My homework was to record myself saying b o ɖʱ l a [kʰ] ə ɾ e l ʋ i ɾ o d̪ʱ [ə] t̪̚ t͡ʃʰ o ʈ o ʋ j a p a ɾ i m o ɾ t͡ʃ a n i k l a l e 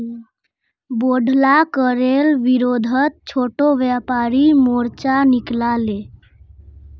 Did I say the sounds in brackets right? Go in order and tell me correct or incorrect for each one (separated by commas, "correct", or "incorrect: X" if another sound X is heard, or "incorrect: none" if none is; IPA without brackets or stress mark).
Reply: incorrect: k, correct